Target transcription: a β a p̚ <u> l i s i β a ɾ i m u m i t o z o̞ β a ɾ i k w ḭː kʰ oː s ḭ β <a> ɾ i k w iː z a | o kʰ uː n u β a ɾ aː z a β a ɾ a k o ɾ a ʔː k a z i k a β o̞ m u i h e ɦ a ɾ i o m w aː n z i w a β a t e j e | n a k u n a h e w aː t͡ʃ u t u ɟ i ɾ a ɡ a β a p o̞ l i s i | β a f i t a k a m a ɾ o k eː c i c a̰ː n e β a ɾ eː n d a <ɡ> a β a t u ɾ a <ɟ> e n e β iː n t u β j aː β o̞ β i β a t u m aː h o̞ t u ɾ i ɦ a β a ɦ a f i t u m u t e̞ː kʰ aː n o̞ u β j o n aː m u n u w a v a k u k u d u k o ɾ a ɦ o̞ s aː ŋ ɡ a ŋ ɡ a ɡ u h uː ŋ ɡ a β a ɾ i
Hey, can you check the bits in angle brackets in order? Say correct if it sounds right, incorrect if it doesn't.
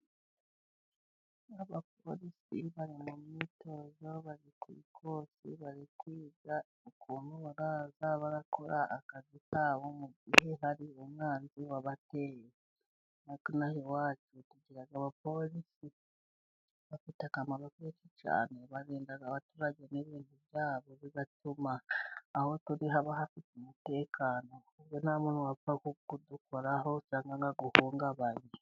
incorrect, correct, correct, correct

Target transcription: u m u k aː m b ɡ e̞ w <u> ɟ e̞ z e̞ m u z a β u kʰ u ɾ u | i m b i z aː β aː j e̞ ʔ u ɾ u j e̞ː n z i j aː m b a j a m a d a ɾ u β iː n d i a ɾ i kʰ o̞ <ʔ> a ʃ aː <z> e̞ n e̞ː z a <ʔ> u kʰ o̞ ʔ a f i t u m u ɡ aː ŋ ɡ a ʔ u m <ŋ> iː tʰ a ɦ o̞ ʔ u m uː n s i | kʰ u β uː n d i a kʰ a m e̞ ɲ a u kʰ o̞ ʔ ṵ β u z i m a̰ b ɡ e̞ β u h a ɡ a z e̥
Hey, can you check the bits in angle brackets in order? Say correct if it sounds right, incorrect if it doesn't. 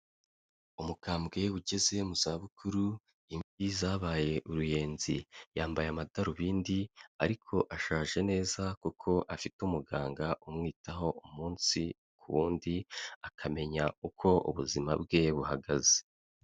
correct, correct, incorrect, incorrect, correct

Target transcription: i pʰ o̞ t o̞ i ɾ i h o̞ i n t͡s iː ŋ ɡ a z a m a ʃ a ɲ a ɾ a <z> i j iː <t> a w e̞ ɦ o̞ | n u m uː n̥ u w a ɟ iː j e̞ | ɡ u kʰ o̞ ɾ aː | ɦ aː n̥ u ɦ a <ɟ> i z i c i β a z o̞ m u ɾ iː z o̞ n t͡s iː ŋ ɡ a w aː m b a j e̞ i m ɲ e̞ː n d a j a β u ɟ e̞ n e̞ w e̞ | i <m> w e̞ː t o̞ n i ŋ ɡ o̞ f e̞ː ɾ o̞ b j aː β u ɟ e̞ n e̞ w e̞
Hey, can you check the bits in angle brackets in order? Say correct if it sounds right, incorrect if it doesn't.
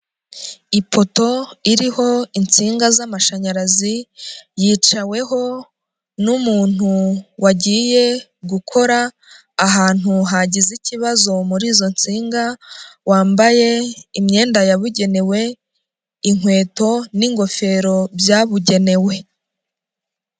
correct, incorrect, correct, incorrect

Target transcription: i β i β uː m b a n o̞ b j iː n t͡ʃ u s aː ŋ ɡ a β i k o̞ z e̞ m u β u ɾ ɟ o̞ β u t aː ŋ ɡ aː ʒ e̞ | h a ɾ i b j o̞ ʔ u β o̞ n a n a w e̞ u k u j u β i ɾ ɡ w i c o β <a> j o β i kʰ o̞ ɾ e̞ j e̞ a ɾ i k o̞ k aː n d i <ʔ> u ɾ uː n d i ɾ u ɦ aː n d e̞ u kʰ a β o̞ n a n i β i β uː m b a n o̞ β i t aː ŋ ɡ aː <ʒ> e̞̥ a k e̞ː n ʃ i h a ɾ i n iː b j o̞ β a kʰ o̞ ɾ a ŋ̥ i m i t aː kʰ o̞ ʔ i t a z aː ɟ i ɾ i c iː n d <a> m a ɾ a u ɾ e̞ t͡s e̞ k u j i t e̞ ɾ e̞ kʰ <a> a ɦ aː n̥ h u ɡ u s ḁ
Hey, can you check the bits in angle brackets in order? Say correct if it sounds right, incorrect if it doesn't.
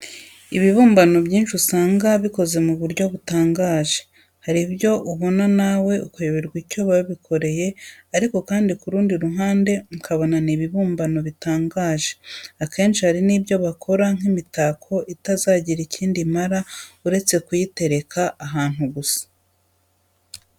correct, incorrect, correct, incorrect, correct

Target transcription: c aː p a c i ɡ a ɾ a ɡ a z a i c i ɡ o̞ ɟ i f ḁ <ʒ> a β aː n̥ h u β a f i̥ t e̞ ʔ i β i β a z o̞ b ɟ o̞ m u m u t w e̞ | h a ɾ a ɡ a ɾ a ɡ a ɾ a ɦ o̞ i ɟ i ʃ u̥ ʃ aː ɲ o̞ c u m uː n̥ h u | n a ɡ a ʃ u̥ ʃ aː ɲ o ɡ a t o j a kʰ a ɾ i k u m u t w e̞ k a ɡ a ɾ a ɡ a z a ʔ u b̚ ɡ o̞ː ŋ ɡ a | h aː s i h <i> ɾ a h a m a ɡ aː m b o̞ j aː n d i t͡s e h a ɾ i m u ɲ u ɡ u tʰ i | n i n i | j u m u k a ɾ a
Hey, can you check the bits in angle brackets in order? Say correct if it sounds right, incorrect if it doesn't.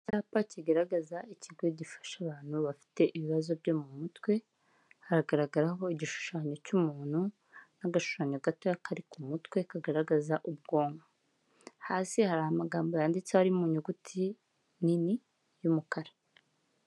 incorrect, incorrect

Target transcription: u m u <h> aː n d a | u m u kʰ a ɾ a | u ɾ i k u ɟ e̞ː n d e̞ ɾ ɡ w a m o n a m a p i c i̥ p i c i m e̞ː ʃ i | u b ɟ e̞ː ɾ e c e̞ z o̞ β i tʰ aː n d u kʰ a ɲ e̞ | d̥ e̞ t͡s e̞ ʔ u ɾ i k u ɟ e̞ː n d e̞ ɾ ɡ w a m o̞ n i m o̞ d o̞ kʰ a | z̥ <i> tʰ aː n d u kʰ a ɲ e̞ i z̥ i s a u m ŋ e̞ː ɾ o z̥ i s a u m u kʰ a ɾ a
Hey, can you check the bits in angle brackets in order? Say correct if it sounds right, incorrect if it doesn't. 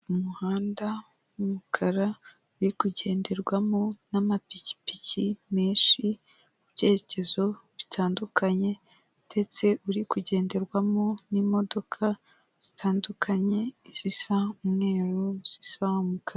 correct, correct

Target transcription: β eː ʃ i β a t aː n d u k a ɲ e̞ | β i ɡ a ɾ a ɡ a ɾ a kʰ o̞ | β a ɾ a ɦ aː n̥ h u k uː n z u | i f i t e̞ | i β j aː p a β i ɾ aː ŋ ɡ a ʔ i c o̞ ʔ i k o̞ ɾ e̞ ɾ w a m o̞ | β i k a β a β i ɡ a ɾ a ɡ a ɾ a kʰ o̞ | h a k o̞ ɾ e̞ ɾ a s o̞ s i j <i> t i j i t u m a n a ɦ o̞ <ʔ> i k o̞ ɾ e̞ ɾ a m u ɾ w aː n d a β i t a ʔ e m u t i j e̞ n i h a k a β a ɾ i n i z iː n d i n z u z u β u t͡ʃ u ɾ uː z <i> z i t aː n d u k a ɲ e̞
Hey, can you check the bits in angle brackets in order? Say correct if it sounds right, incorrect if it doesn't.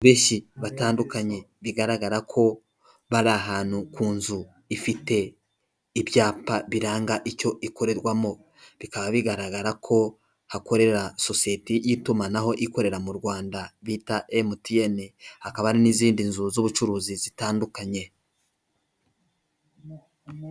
incorrect, correct, correct

